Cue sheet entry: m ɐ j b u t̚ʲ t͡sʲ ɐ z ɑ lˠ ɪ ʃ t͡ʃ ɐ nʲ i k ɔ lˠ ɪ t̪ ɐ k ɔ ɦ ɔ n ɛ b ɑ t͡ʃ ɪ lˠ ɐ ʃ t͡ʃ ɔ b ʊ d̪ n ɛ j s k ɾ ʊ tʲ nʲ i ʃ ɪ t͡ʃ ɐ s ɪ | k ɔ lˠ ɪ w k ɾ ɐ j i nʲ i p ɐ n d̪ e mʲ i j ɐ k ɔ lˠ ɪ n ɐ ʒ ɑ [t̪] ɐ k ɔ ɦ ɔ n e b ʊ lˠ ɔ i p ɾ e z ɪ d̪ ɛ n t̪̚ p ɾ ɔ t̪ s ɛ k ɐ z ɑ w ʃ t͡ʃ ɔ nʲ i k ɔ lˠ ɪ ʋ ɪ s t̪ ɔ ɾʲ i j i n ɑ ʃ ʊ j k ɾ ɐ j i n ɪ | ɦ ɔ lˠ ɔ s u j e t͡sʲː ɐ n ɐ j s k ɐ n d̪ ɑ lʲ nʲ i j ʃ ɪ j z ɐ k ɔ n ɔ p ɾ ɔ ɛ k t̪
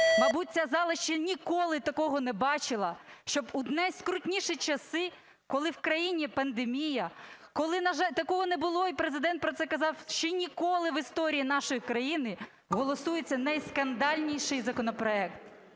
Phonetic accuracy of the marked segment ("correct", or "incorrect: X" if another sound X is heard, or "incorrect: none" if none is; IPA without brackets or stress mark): correct